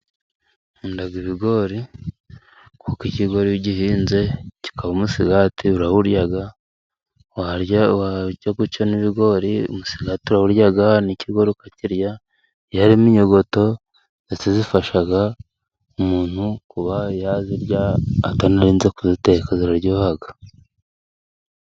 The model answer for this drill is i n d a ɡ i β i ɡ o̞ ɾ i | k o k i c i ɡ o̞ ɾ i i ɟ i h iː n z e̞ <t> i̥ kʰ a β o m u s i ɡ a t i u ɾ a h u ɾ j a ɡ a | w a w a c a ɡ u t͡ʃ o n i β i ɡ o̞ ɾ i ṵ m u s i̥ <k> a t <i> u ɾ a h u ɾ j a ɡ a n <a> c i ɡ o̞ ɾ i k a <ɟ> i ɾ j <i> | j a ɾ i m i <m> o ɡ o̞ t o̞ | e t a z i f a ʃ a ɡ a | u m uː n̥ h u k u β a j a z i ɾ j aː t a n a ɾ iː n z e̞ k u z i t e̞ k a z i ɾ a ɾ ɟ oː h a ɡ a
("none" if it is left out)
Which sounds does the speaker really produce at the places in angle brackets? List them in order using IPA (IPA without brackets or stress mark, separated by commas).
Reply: c, ɡ, i, i, c, a, ɲ